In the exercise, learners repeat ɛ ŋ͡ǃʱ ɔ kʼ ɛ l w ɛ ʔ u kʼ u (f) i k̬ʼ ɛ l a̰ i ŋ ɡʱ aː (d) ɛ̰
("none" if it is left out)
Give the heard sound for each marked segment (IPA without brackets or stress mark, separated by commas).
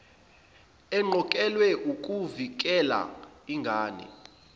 v, n